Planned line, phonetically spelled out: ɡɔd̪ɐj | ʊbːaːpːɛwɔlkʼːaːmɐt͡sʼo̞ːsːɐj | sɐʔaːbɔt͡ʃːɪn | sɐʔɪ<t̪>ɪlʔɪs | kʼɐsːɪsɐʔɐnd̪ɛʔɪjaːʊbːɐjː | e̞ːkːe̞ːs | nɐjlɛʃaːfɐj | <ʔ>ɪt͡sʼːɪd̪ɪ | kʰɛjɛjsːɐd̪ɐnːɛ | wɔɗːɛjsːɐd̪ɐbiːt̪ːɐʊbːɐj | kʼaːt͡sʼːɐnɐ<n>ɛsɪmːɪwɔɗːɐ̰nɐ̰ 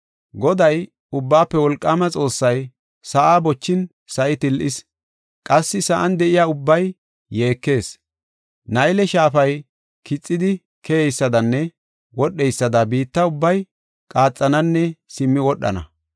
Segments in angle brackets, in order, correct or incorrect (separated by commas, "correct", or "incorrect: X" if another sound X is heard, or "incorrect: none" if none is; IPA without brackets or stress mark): correct, incorrect: k, incorrect: nː